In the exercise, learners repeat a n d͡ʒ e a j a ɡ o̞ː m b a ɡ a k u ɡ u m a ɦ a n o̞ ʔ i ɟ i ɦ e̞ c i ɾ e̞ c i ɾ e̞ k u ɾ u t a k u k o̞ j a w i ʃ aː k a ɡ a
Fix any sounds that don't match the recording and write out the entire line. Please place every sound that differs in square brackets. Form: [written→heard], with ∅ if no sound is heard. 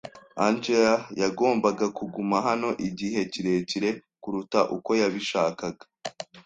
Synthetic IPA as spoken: a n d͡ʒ e a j a ɡ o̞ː m b a ɡ a k u ɡ u m a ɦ a n o̞ ʔ i ɟ i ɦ e̞ c i ɾ e̞ c i ɾ e̞ k u ɾ u t a [k→ʔ] u k o̞ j a [w→β] i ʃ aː k a ɡ a